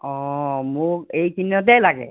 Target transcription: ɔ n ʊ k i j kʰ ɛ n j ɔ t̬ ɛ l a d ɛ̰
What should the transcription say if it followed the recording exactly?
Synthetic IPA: ɔ m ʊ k e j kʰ i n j ɔ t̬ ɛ l a ɡ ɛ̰